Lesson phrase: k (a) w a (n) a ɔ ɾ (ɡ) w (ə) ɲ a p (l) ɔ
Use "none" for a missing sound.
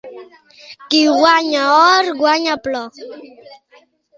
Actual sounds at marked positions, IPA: i, ɲ, ɡ, a, l

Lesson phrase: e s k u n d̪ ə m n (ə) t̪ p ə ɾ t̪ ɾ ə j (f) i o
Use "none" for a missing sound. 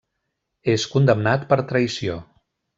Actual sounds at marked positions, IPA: a, s

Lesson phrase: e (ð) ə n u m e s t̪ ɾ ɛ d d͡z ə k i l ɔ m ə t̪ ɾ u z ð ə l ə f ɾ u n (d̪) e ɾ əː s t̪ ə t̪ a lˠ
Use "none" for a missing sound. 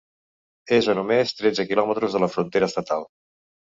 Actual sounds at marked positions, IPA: z, t̪

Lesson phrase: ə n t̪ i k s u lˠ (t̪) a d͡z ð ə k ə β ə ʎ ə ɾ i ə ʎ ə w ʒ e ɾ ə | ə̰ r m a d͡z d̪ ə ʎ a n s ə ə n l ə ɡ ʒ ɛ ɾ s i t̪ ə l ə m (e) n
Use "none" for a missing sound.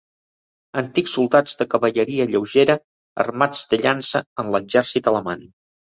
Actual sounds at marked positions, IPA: d̪, a

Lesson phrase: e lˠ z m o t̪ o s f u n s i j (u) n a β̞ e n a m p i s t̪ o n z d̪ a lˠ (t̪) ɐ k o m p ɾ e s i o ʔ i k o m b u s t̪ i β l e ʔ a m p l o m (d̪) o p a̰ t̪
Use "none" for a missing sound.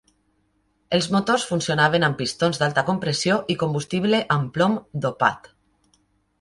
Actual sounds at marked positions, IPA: o, t̪, d̪

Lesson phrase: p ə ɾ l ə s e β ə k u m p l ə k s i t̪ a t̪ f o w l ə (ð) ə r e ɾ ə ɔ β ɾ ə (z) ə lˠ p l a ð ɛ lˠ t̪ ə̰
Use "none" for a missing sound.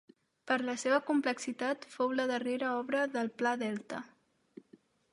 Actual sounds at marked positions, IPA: ð, ð

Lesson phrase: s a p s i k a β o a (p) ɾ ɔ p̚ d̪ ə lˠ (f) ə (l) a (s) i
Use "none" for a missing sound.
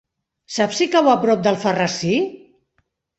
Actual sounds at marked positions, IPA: p, f, r, s

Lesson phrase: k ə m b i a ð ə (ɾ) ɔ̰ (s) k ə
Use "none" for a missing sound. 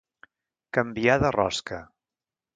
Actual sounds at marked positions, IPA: r, s

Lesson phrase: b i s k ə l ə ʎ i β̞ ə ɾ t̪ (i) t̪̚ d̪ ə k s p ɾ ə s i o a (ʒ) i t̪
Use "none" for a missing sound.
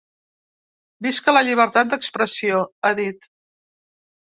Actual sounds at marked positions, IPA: a, ð

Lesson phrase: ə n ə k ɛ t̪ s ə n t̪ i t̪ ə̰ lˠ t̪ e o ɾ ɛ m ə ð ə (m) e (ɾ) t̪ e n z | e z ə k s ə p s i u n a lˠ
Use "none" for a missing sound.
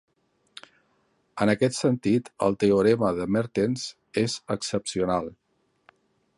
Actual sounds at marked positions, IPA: m, ɾ

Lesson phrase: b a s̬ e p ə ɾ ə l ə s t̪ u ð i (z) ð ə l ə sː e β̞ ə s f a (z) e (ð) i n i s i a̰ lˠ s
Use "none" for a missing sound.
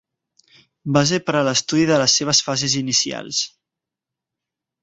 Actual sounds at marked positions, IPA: none, z, z

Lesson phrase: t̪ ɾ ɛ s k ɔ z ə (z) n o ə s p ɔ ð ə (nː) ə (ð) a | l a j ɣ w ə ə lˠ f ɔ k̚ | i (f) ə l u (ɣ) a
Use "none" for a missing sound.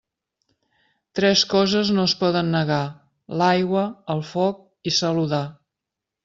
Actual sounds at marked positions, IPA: z, nː, ɣ, s, ð

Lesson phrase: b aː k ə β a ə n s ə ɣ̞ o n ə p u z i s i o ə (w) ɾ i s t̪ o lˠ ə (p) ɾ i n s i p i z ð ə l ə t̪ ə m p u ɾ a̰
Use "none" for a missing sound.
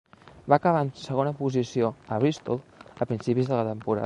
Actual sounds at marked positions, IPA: β, p

